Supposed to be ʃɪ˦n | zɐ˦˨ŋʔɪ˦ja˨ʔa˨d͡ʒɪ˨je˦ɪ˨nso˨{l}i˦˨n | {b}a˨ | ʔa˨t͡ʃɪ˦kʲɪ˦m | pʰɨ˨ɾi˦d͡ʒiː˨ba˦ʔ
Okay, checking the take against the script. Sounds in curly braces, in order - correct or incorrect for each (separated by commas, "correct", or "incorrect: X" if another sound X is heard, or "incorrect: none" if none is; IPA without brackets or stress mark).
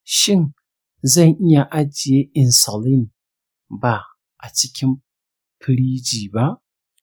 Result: correct, correct